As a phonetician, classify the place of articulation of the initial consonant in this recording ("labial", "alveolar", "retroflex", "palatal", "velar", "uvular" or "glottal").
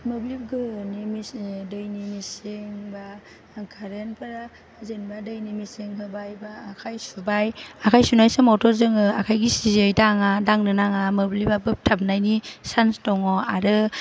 labial